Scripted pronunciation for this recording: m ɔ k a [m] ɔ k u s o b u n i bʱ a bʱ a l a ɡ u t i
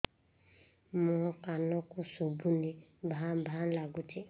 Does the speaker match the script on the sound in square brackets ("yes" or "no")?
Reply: no